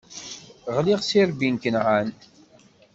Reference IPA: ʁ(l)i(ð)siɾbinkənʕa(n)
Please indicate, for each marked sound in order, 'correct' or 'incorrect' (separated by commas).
correct, incorrect, correct